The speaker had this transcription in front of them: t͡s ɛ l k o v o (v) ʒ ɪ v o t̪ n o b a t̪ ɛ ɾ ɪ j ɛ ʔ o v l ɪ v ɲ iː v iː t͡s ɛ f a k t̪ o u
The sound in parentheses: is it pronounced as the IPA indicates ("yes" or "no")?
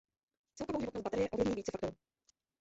no